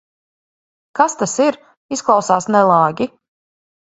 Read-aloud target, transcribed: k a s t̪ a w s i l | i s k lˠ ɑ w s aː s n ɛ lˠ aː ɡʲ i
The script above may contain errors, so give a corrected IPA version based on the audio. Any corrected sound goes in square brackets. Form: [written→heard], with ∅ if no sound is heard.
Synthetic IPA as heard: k a s t̪ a [w→∅] s i [l→ɾ] | i s k lˠ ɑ w s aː s n ɛ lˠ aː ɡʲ i